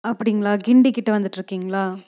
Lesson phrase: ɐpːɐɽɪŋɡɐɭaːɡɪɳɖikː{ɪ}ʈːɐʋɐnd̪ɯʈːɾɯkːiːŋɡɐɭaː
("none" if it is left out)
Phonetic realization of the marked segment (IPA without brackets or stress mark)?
ɪ